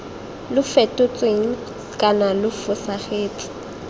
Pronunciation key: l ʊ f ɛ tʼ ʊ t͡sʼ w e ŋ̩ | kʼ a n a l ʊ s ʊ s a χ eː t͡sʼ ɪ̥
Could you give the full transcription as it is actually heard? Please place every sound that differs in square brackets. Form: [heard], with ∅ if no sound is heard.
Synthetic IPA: l ʊ f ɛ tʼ ʊ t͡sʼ w e ŋ̩ | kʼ a n a l ʊ [f] ʊ s a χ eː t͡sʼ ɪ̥